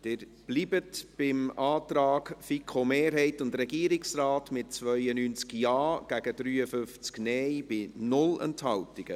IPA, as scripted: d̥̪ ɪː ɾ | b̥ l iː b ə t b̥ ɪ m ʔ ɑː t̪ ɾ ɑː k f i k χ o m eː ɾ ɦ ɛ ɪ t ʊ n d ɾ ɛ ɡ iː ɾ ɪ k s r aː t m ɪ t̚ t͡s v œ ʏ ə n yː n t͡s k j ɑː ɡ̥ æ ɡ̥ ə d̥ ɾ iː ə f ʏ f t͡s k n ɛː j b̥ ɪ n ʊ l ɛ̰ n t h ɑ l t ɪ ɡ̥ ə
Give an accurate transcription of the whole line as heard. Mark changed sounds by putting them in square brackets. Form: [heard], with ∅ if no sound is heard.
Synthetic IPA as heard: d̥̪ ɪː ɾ | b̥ l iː b ə t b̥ ɪ m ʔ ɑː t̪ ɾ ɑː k f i k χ o m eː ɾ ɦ ɛ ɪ t ʊ n d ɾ ɛ ɡ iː ɾ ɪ k s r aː t m ɪ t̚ t͡s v œ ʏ ə n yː n t͡s k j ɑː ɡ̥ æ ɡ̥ ə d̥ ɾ [yː] ə f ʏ f t͡s k n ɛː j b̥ ɪ n ʊ l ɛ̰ n t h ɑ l t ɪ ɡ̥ ə